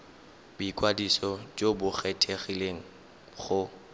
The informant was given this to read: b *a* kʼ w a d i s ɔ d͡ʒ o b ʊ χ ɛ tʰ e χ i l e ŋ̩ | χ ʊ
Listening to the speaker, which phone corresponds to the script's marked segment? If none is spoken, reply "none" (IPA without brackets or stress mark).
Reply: i